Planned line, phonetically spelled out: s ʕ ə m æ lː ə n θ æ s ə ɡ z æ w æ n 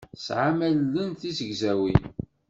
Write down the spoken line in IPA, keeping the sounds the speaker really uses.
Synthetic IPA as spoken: s ʕ a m æ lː ə n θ i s ə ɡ z æ w i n

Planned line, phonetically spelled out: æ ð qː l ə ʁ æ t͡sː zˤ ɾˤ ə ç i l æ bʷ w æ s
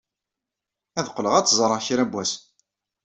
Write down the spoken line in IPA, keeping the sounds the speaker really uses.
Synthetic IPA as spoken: æ ð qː l ə ʁ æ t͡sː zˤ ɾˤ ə ç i ɾ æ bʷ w æ s

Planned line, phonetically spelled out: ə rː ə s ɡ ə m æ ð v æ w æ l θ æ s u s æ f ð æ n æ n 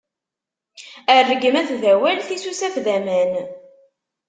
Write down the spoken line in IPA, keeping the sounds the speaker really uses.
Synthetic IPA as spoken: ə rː ə ɡ ə m æ θ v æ w æ l θ i s u s æ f ð æ m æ n

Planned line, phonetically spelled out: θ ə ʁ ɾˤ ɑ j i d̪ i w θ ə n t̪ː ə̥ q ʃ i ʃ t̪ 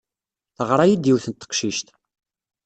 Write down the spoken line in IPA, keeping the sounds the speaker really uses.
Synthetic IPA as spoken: θ ə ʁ ɾˤ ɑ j i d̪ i w θ ə n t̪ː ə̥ q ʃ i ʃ t̪

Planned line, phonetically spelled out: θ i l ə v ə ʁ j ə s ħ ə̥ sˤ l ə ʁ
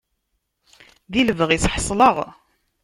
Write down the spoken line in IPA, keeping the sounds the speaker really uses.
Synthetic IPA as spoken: ð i l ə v ə ʁ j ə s ħ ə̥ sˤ l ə ʁ

